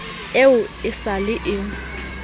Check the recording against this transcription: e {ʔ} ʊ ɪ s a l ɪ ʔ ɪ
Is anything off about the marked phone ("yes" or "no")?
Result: yes